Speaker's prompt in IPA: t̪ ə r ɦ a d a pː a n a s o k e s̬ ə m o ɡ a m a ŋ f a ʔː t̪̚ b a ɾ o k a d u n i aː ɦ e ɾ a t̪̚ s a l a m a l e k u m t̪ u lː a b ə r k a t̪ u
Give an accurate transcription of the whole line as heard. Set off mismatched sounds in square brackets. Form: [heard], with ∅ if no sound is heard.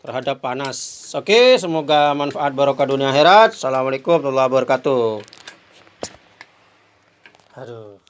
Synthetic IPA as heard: t̪ ə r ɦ a d a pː a n a s o k e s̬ ə m o ɡ a m a [n] f a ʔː t̪̚ b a ɾ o k a d u n i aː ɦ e ɾ a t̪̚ s a l a m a l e k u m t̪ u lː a b ə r k a t̪ u